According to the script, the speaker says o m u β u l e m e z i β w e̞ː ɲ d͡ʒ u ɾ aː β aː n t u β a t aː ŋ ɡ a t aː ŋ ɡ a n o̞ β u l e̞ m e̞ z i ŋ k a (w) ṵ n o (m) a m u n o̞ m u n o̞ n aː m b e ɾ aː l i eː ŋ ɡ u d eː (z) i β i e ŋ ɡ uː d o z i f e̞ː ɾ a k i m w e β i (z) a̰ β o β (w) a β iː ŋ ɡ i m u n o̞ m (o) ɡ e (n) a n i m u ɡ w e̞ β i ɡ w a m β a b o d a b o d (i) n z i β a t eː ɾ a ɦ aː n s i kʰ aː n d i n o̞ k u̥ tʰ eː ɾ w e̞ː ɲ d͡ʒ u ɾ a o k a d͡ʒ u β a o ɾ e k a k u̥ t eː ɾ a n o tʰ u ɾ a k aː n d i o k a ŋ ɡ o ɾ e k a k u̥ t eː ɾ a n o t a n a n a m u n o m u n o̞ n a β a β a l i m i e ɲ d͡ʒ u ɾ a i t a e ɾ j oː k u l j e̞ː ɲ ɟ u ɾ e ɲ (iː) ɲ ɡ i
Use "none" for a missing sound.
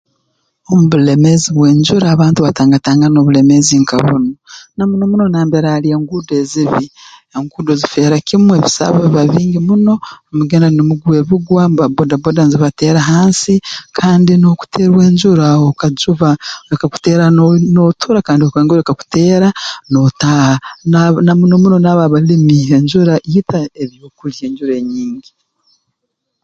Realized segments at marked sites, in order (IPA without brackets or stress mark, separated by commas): β, n, z, s, β, u, n, a, iː